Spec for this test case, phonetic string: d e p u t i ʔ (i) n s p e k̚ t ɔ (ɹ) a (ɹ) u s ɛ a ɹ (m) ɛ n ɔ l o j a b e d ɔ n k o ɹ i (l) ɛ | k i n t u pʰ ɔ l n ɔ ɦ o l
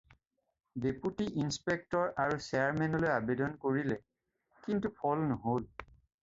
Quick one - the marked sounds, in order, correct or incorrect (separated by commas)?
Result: correct, correct, correct, correct, correct